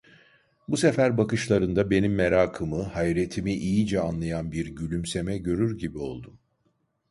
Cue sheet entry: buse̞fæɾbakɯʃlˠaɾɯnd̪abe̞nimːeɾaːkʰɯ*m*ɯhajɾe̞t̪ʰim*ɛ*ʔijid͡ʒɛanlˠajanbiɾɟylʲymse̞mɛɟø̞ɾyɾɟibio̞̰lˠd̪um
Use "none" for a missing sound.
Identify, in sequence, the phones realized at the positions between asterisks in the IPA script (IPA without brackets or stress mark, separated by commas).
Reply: m, i